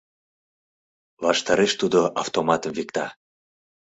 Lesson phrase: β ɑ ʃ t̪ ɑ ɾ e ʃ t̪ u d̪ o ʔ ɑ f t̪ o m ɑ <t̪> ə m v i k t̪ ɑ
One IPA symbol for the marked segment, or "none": t̪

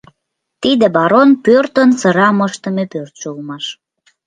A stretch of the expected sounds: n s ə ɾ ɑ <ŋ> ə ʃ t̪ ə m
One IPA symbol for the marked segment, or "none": m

